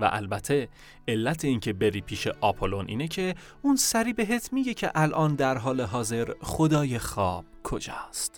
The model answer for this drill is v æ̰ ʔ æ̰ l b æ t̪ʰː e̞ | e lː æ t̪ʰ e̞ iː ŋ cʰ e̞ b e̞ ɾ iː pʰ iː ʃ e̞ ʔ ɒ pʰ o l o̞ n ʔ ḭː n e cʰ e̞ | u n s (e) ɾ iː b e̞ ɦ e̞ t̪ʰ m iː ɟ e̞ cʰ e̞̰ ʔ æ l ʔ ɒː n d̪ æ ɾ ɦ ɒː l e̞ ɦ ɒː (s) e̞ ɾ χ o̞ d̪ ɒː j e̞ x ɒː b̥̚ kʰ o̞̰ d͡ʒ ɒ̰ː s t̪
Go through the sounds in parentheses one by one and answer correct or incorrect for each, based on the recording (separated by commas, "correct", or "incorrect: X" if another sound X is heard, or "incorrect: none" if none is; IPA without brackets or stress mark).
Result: incorrect: æ, incorrect: z